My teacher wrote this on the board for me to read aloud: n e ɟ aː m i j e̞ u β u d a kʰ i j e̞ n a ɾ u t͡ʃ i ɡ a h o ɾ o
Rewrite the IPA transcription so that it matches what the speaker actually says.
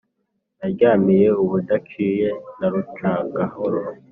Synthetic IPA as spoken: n a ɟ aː m i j e̞ u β u d a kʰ i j e̞ n a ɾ u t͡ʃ a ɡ a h o ɾ o

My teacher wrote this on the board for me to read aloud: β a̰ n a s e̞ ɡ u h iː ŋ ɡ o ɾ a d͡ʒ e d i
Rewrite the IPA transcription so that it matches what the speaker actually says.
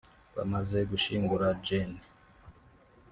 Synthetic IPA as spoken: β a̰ m a z e̞ ɡ u ʃ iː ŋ ɡ u ɾ a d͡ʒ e n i

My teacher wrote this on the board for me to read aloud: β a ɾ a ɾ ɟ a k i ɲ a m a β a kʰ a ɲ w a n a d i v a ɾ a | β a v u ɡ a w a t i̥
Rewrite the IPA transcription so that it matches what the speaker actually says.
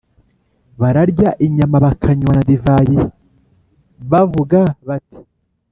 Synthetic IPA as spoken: β a ɾ a ɾ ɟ a ʔ i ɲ a m a β a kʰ a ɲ w a n a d i v a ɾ i | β a v u ɡ a β a t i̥

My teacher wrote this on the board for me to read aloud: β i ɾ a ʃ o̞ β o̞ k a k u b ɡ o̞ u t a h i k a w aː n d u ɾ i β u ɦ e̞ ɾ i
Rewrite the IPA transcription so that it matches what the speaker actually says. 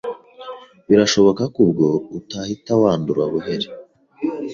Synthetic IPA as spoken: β i ɾ a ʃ o̞ β o̞ k a k u b ɡ o̞ u t a h i t a w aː n d u ɾ a β u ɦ e̞ ɾ e

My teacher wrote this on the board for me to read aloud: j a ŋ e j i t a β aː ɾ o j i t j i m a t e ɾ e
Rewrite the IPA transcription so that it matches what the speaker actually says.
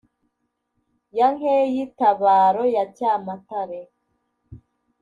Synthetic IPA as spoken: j a ŋ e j i t a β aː ɾ o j a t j a m a t a ɾ e

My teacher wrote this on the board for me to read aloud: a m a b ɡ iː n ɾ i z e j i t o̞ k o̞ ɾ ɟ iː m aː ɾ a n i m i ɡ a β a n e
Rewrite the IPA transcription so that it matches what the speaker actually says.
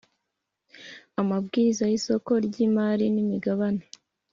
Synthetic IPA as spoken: a m a b ɡ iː ɾ i z a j i s o̞ k o̞ ɾ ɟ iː m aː ɾ i n i m i ɡ a β a n e

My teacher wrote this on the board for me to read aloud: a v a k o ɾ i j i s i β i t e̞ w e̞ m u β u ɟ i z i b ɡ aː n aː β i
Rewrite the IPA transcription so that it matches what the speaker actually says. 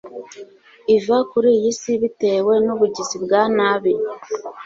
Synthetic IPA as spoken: i v a k u ɾ i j i s i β i t e̞ w e̞ n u β u ɟ i z i b ɡ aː n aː β i

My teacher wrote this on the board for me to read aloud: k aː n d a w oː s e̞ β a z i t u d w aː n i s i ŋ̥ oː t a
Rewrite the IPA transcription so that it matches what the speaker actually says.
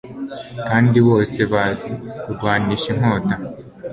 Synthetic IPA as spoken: k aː n d i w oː s e̞ β a z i k u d w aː n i ʃ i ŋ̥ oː t a

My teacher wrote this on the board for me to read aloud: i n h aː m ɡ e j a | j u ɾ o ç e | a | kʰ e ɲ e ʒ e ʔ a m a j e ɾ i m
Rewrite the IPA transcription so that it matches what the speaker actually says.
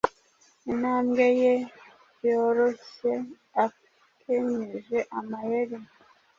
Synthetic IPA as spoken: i n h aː m ɡ e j e | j o ɾ o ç e | a | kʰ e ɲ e ʒ e ʔ a m a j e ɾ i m

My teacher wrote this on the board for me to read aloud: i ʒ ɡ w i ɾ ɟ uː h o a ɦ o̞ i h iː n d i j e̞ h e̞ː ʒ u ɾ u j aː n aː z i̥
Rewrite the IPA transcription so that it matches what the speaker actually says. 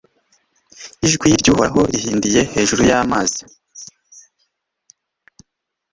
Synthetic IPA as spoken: i ʒ ɡ w i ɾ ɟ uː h o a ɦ o̞ i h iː n d i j e̞ h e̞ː ʒ u ɾ u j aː m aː z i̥

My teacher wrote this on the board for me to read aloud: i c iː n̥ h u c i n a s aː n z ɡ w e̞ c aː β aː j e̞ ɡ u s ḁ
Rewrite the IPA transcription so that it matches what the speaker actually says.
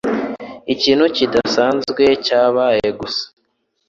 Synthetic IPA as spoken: i c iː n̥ h u c i d a s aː n z ɡ w e̞ c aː β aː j e̞ ɡ u s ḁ

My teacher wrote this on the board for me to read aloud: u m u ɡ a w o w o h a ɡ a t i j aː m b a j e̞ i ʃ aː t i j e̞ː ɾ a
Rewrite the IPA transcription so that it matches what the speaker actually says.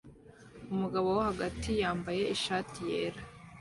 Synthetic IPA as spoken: u m u ɡ a β o w o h a ɡ a t i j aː m b a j e̞ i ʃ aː t i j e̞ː ɾ a

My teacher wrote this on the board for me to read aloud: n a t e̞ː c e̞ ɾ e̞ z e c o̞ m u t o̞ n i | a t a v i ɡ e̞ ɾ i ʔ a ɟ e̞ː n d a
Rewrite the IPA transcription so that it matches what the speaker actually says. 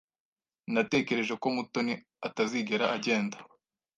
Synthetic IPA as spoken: n a t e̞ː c e̞ ɾ e̞ ʒ e k o̞ m u t o̞ n i | a t a z i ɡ e̞ ɾ a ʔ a ɟ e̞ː n d a

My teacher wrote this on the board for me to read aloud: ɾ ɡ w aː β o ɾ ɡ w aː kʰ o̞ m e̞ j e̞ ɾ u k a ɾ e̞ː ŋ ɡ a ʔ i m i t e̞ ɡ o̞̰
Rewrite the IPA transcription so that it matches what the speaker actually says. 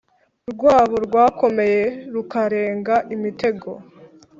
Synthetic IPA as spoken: ɾ ɡ w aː β o ɾ ɡ w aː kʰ o̞ m e̞ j e̞ ɾ u k a ɾ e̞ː ŋ ɡ a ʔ i m i t e̞ ɡ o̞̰

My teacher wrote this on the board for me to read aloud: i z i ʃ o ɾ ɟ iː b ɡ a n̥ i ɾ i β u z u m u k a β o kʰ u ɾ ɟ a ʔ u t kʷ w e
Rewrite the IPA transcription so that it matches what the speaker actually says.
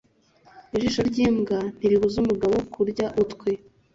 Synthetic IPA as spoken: i ʒ i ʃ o ɾ ɟ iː m ɡ a n̥ i ɾ i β u z u m u ɡ a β o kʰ u ɾ ɟ a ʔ u t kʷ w e

